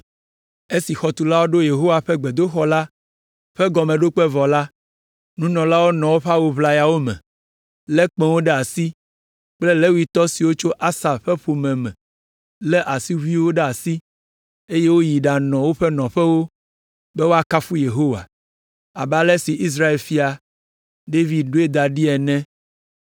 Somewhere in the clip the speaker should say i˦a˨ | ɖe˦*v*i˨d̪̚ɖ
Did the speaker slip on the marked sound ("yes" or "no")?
no